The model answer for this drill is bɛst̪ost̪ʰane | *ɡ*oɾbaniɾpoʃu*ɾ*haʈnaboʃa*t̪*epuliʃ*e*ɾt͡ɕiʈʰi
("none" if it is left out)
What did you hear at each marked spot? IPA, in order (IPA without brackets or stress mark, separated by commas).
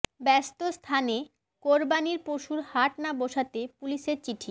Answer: k, ɾ, t̪, e